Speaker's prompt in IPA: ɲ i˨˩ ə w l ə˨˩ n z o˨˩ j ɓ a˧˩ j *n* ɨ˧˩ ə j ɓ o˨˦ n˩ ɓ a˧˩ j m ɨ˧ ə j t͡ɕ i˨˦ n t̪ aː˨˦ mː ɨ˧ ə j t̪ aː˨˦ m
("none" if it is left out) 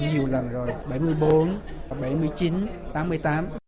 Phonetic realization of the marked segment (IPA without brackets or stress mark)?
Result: m